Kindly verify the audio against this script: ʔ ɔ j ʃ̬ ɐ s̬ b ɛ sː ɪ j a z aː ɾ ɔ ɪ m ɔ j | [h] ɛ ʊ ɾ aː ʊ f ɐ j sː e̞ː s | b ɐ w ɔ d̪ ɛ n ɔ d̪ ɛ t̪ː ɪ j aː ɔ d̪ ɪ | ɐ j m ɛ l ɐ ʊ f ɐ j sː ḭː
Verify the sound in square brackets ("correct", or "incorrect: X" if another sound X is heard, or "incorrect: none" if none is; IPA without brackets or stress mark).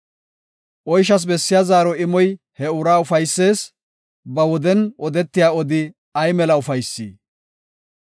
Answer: correct